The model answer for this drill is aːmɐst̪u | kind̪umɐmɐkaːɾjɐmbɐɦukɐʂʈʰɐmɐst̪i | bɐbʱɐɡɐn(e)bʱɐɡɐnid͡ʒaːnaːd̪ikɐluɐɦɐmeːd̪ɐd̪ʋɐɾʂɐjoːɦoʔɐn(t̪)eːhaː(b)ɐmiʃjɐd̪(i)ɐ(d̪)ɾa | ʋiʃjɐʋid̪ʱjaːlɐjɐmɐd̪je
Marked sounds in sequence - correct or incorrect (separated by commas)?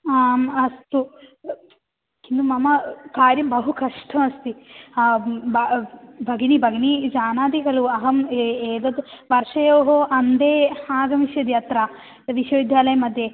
incorrect, incorrect, incorrect, incorrect, incorrect